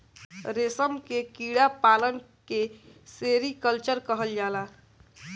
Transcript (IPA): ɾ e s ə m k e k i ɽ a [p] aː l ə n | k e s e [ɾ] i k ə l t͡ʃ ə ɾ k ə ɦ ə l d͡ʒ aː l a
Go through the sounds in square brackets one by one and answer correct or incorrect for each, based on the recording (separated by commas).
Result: correct, correct